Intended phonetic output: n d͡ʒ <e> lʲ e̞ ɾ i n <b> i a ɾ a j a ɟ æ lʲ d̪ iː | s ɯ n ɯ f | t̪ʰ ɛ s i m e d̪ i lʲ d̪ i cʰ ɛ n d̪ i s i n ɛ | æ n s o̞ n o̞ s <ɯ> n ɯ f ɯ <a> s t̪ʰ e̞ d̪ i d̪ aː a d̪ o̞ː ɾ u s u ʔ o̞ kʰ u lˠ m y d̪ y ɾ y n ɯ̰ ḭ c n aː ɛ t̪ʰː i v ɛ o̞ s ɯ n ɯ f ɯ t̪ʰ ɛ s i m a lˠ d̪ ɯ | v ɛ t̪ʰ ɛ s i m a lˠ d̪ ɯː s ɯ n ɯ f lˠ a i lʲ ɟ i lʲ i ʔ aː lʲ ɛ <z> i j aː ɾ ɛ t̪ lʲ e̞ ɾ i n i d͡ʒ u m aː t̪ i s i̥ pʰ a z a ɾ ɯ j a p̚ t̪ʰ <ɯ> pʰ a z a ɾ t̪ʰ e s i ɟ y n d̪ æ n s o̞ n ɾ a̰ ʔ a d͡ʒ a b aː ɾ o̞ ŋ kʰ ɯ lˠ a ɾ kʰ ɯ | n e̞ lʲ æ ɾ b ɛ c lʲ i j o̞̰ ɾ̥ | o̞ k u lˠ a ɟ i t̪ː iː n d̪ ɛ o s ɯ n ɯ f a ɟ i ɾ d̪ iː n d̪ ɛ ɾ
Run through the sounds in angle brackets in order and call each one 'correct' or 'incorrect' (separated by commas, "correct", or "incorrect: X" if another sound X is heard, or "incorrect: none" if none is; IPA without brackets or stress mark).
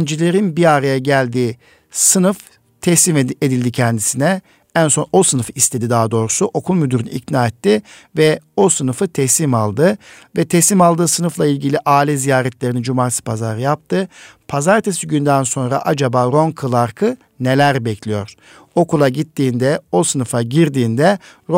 incorrect: i, correct, correct, incorrect: i, correct, correct